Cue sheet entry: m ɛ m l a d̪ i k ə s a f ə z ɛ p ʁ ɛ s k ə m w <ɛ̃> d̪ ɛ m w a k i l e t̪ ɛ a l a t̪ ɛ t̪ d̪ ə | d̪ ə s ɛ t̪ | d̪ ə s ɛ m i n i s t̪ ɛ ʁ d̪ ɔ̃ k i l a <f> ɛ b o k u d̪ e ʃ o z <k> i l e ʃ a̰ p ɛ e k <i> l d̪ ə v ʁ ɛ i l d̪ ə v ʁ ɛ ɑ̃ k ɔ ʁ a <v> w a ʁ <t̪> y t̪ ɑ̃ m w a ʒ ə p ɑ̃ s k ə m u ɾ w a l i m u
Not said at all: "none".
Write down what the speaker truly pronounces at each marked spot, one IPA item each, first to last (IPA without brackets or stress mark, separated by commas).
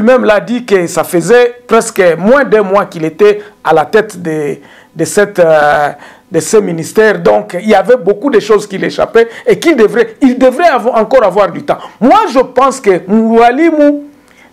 ɛ̃, v, k, i, v, d̪